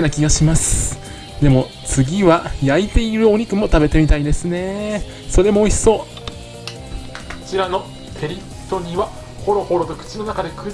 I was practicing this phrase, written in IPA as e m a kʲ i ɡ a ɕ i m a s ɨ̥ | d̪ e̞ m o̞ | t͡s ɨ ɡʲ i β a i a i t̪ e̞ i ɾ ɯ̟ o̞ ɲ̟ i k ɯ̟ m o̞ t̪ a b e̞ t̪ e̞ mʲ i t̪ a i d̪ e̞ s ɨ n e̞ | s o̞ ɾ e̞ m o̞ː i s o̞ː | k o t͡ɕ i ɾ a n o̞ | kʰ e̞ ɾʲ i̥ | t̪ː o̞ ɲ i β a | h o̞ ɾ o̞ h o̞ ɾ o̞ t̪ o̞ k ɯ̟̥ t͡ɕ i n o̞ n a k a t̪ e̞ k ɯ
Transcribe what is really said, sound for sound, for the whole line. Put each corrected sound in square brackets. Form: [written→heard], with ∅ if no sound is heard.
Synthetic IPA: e [m→n] a kʲ i ɡ a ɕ i m a s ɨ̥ | d̪ e̞ m o̞ | t͡s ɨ ɡʲ i β a [i→j] a i t̪ e̞ i ɾ ɯ̟ o̞ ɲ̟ i k ɯ̟ m o̞ t̪ a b e̞ t̪ e̞ mʲ i t̪ a i d̪ e̞ s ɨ n e̞ | s o̞ ɾ e̞ m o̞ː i s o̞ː | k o t͡ɕ i ɾ a n o̞ | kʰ e̞ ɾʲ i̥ | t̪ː o̞ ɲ i β a | h o̞ ɾ o̞ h o̞ ɾ o̞ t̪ o̞ k ɯ̟̥ t͡ɕ i n o̞ n a k a [t̪→d̪] e̞ k ɯ